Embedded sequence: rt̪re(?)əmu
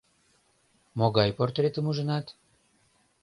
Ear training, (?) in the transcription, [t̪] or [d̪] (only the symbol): t̪